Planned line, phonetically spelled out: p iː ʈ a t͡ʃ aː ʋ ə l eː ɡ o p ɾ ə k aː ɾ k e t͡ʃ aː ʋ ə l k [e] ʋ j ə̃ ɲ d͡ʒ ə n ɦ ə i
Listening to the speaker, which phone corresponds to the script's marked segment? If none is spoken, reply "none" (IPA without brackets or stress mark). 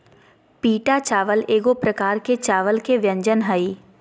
e